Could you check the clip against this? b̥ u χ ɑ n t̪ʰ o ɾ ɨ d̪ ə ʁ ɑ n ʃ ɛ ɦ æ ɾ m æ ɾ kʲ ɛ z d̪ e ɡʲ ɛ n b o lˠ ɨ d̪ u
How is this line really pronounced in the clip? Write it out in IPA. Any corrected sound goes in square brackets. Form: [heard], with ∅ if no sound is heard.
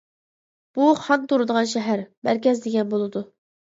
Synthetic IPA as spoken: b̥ u χ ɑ n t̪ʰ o ɾ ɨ d̪ ə ʁ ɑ n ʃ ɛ ɦ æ ɾ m æ ɾ kʲ ɛ z d̪ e ɡʲ ɛ n b o lˠ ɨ d̪ u